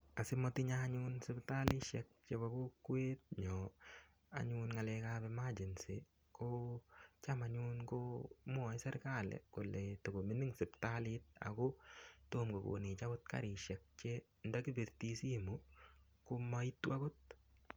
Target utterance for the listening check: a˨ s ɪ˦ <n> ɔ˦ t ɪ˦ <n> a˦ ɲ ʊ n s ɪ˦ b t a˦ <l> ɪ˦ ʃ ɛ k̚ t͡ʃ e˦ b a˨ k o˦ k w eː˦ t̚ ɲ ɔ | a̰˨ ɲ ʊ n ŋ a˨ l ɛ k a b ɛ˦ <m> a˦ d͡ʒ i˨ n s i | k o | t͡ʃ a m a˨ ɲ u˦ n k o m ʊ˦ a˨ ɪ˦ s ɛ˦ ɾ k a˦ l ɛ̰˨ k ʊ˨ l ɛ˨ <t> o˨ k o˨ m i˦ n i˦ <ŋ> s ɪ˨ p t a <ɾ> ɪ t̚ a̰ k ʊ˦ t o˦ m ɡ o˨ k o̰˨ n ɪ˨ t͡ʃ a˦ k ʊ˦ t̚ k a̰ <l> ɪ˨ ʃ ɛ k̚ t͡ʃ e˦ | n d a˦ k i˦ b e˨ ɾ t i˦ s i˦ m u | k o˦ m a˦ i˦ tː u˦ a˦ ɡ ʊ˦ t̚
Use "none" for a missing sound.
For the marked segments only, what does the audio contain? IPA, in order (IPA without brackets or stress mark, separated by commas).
m, ɲ, l, m, t, ŋ, l, ɾ